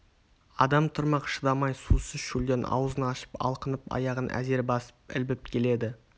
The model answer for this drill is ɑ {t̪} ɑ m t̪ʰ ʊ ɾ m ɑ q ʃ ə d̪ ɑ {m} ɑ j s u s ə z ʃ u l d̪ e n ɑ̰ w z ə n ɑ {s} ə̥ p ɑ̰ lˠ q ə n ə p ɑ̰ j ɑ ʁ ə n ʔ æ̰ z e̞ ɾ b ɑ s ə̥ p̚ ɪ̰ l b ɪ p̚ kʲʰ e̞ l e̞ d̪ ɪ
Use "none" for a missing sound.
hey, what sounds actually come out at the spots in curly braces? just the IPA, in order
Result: d̪, m, ʃ

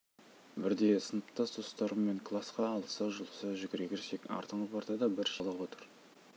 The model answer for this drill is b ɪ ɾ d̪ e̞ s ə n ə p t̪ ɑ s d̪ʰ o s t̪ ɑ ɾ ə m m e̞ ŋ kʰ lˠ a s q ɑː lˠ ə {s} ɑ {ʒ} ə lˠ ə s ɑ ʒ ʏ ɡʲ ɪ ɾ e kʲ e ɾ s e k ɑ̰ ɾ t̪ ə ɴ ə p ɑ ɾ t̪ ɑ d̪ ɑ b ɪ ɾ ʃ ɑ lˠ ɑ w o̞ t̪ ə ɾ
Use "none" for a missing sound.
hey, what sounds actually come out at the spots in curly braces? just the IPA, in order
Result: s, ʒ

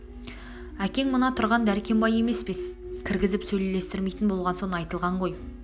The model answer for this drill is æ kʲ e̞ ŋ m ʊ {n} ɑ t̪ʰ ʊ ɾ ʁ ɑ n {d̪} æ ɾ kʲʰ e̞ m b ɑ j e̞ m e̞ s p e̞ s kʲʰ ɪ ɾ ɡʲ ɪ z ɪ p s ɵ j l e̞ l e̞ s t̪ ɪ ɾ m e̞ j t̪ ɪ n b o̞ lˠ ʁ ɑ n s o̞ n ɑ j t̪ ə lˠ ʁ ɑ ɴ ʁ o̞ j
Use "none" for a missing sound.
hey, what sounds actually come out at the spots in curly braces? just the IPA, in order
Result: n, d̪

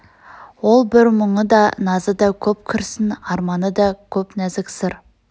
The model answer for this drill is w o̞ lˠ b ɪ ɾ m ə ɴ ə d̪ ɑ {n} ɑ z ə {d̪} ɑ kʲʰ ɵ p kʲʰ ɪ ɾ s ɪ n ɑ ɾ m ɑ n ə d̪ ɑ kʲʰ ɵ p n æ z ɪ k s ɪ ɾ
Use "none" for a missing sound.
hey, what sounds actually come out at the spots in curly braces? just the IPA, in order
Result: n, d̪

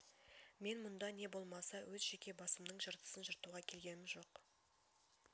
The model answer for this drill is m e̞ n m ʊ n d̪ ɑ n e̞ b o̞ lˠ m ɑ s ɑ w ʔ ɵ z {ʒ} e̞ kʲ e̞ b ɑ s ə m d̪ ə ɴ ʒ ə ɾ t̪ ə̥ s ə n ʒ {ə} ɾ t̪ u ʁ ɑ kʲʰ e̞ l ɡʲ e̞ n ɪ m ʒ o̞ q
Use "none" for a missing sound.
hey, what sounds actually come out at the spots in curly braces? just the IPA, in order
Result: ʒ, ə

